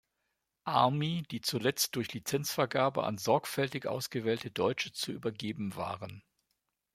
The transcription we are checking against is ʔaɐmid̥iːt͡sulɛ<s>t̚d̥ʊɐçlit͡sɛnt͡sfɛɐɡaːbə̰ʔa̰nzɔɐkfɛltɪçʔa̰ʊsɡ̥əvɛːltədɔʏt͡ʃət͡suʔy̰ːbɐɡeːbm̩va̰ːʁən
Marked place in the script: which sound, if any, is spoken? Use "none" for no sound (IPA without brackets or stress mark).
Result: t͡s